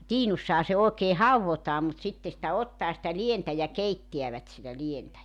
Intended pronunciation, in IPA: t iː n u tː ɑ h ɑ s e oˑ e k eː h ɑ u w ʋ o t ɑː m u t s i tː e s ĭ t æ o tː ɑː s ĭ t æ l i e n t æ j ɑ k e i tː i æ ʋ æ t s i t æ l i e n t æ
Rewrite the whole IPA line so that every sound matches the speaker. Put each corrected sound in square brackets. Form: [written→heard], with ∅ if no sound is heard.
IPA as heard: t iː n u [tː→sː] ɑ h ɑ s e oˑ e k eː h ɑ u w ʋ o t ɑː m u t s i tː e s ĭ t æ o tː ɑː s ĭ t æ l i e n t æ j ɑ k e i tː i æ ʋ æ t s i t æ l i e n t æ